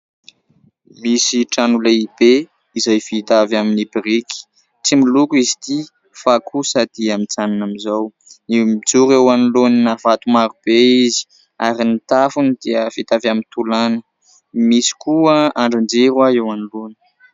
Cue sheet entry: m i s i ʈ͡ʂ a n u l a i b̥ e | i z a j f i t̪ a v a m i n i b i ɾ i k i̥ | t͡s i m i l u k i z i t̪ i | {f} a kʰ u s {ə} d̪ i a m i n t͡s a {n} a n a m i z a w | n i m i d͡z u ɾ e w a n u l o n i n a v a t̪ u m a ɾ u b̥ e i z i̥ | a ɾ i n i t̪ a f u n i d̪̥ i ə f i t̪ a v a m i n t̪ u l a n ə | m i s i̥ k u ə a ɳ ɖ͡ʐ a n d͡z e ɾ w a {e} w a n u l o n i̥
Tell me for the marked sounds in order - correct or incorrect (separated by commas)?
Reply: correct, incorrect, correct, correct